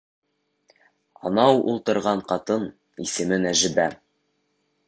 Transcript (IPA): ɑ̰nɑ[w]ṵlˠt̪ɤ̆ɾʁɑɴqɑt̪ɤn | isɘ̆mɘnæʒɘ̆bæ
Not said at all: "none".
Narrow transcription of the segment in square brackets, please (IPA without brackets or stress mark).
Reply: w